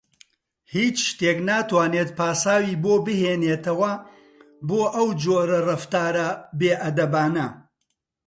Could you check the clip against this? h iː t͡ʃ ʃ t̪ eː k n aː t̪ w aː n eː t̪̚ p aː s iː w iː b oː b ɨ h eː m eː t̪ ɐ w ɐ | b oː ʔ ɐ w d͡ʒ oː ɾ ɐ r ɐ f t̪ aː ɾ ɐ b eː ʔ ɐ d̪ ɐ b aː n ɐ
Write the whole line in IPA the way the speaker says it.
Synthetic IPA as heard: h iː t͡ʃ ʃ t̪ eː k n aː t̪ w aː n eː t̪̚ p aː s aː w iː b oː b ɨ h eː n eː t̪ ɐ w ɐ | b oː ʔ ɐ w d͡ʒ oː ɾ ɐ r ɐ f t̪ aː ɾ ɐ b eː ʔ ɐ d̪ ɐ b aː n ɐ